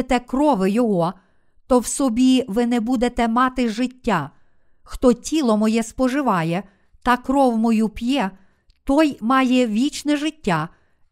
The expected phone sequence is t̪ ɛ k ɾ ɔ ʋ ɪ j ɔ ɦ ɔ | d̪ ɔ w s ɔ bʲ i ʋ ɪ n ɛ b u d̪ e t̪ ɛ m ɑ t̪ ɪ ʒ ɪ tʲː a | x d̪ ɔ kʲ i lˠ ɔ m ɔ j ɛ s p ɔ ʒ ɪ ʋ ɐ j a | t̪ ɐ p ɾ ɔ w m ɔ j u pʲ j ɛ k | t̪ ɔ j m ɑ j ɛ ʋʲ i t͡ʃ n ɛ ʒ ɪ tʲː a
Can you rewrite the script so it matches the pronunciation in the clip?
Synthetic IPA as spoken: t̪ ɛ k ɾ ɔ ʋ ɪ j ɔ ɦ ɔ | t̪ ɔ w s ɔ bʲ i ʋ ɪ n ɛ b u d̪ e t̪ ɛ m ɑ t̪ ɪ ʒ ɪ tʲː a | x t̪ ɔ tʲ i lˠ ɔ m ɔ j ɛ s p ɔ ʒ ɪ ʋ ɑ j ɛ | t̪ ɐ k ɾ ɔ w m ɔ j u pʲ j ɛ | t̪ ɔ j m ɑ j ɛ ʋʲ i t͡ʃ n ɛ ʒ ɪ tʲː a